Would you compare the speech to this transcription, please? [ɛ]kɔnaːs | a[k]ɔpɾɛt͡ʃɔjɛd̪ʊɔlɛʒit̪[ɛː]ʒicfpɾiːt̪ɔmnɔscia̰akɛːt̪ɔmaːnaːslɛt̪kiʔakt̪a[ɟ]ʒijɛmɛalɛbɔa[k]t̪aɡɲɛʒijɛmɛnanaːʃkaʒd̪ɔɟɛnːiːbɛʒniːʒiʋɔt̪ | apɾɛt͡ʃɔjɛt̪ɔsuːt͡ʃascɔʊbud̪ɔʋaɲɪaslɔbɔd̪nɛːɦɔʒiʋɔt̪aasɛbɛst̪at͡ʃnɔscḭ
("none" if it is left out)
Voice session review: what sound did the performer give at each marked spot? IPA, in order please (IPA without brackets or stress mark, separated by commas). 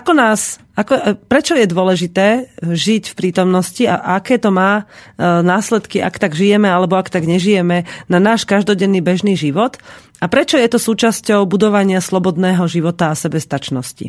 a, k, ɛː, ɡ, k